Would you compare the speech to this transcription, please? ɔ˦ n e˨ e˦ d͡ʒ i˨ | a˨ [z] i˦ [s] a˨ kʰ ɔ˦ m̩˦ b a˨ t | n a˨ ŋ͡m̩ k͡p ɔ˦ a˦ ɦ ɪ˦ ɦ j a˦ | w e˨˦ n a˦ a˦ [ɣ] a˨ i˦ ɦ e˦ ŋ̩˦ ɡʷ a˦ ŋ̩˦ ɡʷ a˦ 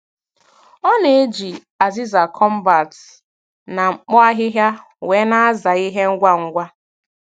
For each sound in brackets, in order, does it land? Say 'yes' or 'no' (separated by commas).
yes, no, no